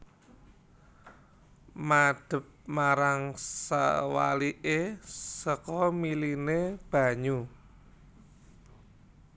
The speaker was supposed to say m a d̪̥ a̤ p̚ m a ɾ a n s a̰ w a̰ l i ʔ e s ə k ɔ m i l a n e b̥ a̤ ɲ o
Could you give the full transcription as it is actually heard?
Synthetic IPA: m a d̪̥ ə̤ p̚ m a ɾ a ŋ s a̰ w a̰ l i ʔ e s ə k ɔ m i l i n e b̥ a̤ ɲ u